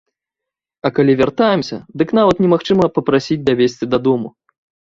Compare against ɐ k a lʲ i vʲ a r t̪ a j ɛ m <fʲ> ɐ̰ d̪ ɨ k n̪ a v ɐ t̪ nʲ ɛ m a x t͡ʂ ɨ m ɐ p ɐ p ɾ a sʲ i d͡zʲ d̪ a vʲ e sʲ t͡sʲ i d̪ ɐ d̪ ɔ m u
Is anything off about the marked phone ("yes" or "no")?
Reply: yes